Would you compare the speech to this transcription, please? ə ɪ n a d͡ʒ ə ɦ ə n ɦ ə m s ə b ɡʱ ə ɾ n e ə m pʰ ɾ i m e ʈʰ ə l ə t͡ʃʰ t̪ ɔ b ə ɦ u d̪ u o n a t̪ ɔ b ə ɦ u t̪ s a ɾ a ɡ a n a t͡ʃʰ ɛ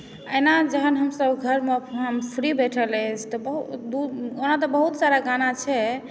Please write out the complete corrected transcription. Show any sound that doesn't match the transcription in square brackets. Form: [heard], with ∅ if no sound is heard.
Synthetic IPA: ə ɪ n a d͡ʒ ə ɦ ə n ɦ ə m s ə b ɡʱ ə ɾ [m] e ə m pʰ ɾ i [b] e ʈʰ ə l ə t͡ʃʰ t̪ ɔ b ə ɦ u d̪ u o n a t̪ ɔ b ə ɦ u t̪ s a ɾ a ɡ a n a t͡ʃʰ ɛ